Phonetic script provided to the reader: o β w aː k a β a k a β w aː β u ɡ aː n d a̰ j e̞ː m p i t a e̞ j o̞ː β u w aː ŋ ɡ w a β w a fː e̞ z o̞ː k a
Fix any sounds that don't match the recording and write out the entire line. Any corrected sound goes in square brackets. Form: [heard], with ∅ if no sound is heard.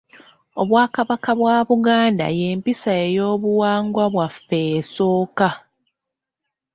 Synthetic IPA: o β w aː k a β a k a β w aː β u ɡ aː n d a̰ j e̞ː m p i [s] a e̞ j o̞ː β u w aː ŋ ɡ w a β w a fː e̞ [s] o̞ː k a